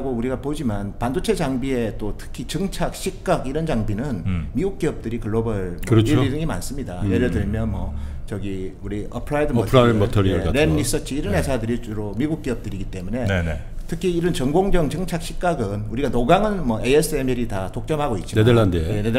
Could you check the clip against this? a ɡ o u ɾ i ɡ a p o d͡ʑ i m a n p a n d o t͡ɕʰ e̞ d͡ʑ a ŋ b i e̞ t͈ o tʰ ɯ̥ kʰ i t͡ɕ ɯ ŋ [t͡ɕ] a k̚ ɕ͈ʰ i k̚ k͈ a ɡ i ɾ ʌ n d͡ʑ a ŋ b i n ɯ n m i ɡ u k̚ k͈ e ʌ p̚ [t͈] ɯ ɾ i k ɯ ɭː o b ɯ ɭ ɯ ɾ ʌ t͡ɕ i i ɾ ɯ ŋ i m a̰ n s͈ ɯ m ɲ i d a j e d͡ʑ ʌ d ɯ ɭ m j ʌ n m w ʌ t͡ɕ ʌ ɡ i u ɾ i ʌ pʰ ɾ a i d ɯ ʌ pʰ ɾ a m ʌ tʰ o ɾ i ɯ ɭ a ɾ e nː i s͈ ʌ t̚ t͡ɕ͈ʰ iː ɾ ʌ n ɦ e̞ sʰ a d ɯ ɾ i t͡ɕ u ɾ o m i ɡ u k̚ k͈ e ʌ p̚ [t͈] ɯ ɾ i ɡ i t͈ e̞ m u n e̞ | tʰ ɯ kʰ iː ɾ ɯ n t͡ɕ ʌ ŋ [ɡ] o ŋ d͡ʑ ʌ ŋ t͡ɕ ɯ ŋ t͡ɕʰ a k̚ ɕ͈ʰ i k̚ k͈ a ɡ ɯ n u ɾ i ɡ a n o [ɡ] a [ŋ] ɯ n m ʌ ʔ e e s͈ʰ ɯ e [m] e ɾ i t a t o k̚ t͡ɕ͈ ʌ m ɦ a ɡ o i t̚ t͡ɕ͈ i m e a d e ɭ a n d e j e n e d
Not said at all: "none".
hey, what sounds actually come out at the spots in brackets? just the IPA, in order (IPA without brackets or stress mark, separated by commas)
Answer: t͡ɕʰ, t͈, t͈, ɡ, ɡ, ŋ, m